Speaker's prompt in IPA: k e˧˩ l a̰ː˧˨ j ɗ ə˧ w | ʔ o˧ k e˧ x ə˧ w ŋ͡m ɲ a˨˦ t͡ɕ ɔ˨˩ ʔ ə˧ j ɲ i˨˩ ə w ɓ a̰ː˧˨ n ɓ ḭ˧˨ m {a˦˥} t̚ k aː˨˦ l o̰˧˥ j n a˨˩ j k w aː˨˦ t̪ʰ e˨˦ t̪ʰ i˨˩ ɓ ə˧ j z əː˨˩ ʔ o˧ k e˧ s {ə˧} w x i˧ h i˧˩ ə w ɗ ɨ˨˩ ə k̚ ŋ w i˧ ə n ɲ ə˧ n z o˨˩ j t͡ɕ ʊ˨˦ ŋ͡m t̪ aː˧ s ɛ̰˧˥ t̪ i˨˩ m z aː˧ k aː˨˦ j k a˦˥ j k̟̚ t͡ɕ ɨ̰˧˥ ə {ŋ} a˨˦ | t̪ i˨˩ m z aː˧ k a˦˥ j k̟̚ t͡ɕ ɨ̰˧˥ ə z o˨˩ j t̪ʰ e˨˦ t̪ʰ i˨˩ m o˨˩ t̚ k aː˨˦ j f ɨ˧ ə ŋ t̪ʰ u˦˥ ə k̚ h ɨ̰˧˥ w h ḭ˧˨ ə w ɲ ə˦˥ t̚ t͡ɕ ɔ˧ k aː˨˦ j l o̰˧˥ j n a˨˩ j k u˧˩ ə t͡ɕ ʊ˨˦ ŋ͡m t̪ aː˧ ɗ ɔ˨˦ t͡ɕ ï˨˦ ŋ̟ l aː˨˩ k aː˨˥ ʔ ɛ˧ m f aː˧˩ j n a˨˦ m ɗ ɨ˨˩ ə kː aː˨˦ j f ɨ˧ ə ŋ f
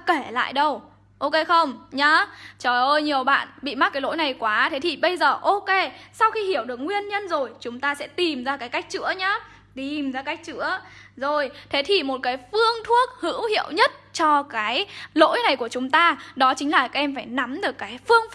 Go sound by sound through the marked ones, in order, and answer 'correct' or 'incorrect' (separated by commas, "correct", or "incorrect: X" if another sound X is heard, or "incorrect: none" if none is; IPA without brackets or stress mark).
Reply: correct, incorrect: a˧, incorrect: ɲ